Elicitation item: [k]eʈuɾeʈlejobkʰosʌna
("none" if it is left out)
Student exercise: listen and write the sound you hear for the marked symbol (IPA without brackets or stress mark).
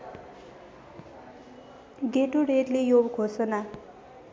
ɡ